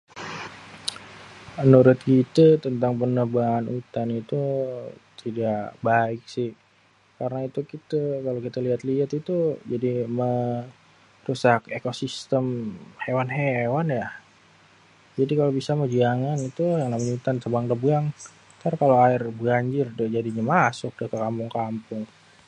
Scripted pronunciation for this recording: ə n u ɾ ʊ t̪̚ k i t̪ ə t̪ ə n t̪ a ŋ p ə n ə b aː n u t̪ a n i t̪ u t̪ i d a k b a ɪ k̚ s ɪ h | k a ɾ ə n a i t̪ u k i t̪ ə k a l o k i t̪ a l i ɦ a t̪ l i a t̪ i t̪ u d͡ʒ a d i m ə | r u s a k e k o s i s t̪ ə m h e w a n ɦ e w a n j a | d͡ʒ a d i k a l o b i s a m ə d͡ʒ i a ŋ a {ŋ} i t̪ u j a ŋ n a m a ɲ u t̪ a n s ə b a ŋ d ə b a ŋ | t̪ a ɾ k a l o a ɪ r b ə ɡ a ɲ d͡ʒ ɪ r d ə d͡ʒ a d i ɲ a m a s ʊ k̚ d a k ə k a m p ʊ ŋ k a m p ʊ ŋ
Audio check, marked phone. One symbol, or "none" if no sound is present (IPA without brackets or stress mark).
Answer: n